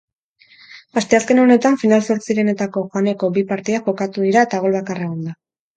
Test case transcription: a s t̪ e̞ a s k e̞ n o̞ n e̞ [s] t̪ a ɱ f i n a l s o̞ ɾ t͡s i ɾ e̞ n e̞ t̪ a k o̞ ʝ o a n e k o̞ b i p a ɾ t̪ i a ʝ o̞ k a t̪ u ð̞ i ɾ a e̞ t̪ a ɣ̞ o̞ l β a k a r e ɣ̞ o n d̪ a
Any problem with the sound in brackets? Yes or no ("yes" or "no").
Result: yes